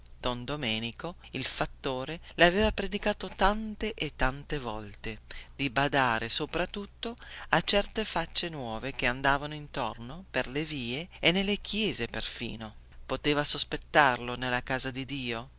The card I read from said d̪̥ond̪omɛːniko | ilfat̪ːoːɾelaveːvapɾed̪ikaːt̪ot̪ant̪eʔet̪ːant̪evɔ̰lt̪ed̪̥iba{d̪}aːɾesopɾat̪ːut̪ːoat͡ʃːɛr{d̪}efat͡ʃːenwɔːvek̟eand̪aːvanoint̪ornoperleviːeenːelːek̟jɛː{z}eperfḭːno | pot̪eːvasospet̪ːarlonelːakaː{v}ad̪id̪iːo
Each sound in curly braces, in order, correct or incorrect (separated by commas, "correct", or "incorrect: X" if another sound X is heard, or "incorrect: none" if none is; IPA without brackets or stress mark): correct, incorrect: t̪, correct, incorrect: z